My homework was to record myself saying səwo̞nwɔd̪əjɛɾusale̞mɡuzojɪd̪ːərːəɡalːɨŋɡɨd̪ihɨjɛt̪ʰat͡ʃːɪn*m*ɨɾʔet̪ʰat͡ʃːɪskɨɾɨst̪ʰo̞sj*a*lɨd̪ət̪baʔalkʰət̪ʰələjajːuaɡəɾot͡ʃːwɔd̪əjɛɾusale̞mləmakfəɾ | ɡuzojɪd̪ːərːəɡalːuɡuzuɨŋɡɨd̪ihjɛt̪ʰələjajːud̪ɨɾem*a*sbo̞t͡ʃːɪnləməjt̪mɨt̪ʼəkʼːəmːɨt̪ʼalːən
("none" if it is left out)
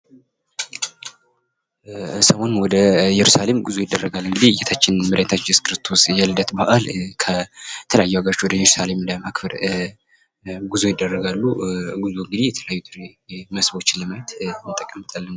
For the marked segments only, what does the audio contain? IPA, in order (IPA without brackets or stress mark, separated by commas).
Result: m, ɛ, ə